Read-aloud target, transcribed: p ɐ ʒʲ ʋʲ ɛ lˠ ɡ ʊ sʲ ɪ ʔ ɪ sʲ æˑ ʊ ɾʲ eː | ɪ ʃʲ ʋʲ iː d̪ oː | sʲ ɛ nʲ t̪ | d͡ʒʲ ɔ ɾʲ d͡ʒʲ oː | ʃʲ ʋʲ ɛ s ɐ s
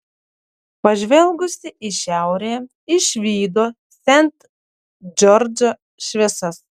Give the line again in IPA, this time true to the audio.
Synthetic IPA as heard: p ɐ ʒʲ ʋʲ ɛ lˠ ɡ ʊ sʲ ɪ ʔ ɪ ʃʲ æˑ ʊ ɾʲ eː | ɪ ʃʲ ʋʲ iː d̪ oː | sʲ ɛ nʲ t̪ | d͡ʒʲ ɔ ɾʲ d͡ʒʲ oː | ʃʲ ʋʲ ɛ s ɐ s

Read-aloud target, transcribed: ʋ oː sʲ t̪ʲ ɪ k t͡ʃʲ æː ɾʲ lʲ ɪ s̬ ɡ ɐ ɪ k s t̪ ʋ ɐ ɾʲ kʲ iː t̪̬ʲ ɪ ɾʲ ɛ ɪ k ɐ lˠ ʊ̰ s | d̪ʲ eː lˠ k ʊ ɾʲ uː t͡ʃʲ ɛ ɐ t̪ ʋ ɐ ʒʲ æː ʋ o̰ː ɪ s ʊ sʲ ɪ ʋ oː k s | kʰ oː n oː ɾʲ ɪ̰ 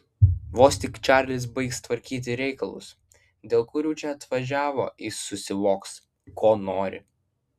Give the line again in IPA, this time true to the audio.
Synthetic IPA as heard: ʋ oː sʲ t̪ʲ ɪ k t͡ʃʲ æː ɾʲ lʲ ɪ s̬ b ɐ ɪ k s t̪ ʋ ɐ ɾʲ kʲ iː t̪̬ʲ ɪ ɾʲ ɛ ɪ k ɐ lˠ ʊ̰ s | d̪ʲ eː lˠ k ʊ ɾʲ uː t͡ʃʲ ɛ ɐ t̪ ʋ ɐ ʒʲ æː ʋ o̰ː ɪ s ʊ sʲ ɪ ʋ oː k s | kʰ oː n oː ɾʲ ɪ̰

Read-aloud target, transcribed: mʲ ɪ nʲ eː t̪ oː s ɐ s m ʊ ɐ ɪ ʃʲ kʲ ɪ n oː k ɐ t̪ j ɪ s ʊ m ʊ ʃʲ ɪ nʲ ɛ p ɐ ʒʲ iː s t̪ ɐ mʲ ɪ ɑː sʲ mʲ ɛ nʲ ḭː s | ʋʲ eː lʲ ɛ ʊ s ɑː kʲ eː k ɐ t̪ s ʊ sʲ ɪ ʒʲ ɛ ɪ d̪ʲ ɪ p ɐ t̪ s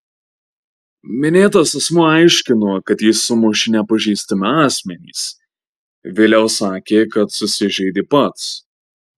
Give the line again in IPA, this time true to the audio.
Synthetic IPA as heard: mʲ ɪ nʲ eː t̪ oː s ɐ s m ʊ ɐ ɪ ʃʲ kʲ ɪ n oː k ɐ t̪ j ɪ s ʊ m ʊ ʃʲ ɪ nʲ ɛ p ɐ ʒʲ iː s t̪ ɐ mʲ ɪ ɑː sʲ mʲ ɛ nʲ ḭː s | ʋʲ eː lʲ ɛ ʊ s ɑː kʲ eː k ɐ t̪ s ʊ sʲ ɪ ʒʲ ɛ ɪ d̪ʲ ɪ p ɐ t̪ s

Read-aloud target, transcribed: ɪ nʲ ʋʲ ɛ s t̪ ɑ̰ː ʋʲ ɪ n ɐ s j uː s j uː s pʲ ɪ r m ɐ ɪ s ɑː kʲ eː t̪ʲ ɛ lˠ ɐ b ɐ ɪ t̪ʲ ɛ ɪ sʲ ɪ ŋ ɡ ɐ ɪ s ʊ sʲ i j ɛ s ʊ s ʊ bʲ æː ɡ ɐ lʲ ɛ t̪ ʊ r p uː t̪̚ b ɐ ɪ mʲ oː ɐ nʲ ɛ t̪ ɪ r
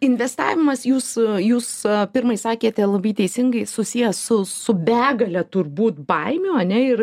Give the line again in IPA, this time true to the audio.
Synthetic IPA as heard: ɪ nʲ ʋʲ ɛ s t̪ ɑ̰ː ʋʲ ɪ m ɐ s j uː s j uː s pʲ ɪ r m ɐ ɪ s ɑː kʲ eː t̪ʲ ɛ lˠ ɐ b ɐ ɪ t̪ʲ ɛ ɪ sʲ ɪ ŋ ɡ ɐ ɪ s ʊ sʲ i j ɛ s ʊ s ʊ bʲ æː ɡ ɐ lʲ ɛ t̪ ʊ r b uː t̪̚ b ɐ ɪ mʲ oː ɐ nʲ ɛ ɪ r

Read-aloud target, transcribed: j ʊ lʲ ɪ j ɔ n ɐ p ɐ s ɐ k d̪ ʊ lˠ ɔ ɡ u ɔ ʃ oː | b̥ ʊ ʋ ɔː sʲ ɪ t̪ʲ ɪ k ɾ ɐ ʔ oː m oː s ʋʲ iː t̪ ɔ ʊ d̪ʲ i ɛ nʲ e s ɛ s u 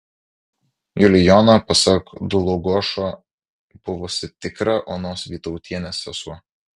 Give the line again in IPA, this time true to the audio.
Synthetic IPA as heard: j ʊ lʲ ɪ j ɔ n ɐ p ɐ s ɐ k d̪ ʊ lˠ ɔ ɡ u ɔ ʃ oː | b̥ ʊ ʋ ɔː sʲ ɪ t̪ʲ ɪ k ɾ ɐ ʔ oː n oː s ʋʲ iː t̪ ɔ ʊ t̪ʲ i ɛ nʲ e s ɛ s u

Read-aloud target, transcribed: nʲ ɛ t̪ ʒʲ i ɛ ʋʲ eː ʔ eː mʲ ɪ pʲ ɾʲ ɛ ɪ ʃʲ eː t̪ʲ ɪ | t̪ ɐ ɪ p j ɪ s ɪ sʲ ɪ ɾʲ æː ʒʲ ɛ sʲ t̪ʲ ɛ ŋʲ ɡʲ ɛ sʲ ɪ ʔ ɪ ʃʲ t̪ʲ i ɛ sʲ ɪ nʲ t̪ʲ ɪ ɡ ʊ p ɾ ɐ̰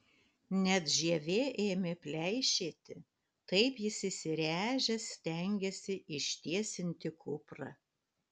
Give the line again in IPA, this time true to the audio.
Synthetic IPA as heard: nʲ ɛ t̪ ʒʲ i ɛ ʋʲ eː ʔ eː mʲ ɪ pʲ lʲ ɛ ɪ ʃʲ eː t̪ʲ ɪ | t̪ ɐ ɪ p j ɪ s ɪ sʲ ɪ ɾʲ æː ʒʲ ɛ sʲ t̪ʲ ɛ ŋʲ ɡʲ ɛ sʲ ɪ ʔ ɪ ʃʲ t̪ʲ i ɛ sʲ ɪ nʲ t̪ʲ ɪ k ʊ p ɾ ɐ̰

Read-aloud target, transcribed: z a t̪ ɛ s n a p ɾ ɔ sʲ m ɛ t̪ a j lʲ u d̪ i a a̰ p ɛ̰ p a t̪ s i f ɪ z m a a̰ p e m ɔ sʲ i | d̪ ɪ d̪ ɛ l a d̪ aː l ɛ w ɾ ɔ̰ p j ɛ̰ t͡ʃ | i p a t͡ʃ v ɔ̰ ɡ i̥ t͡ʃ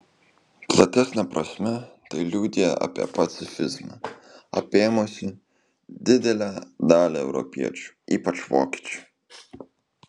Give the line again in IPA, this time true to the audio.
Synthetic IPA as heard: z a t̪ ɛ s n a p ɾ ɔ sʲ m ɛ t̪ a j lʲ u d̪ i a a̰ p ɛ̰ p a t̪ s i f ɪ z m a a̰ p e m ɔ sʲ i | d̪ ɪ d̪ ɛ l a d̪ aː l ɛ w ɾ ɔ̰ p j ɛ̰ t͡ʃ | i p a t͡ʃ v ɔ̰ k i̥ t͡ʃ

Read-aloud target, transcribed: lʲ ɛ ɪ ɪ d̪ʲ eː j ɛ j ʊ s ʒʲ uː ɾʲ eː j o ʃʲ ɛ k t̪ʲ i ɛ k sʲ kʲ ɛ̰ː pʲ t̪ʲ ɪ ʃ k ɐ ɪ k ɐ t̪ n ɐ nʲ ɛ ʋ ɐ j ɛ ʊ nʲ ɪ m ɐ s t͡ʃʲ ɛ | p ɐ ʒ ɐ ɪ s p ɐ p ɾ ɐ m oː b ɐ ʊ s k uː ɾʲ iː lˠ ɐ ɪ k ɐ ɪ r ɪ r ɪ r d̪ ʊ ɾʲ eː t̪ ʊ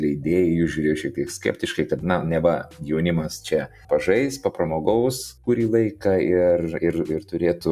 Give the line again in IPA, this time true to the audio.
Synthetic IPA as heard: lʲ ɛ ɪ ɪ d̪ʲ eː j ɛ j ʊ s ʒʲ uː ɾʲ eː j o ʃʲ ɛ k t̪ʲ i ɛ k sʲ kʲ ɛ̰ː pʲ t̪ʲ ɪ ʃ k ɐ ɪ k ɐ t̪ n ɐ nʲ ɛ ʋ ɐ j ɛ ʊ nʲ ɪ m ɐ s t͡ʃʲ ɛ | p ɐ ʒ ɐ ɪ s p ɐ p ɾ ɐ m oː ɡ ɐ ʊ s k uː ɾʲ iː lˠ ɐ ɪ k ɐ ɪ r ɪ r ɪ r t̪ ʊ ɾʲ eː t̪ ʊ

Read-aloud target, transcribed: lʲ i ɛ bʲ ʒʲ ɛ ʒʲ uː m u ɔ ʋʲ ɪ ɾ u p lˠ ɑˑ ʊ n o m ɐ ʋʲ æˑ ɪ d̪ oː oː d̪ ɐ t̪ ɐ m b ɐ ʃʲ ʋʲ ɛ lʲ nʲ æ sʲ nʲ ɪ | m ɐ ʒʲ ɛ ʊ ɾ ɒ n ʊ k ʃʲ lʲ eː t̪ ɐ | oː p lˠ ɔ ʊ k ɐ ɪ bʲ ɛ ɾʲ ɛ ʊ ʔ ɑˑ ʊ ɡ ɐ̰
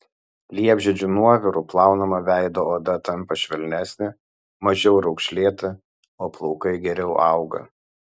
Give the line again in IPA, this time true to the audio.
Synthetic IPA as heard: lʲ i ɛ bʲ ʒʲ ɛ d͡ʒʲ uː n u ɔ ʋʲ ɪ ɾ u p lˠ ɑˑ ʊ n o m ɐ ʋʲ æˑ ɪ d̪ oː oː d̪ ɐ t̪ ɐ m p ɐ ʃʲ ʋʲ ɛ lʲ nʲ æ sʲ nʲ ɪ | m ɐ ʒʲ ɛ ʊ ɾ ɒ ʊ k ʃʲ lʲ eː t̪ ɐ | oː p lˠ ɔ ʊ k ɐ ɪ ɡʲ ɛ ɾʲ ɛ ʊ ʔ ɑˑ ʊ ɡ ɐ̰

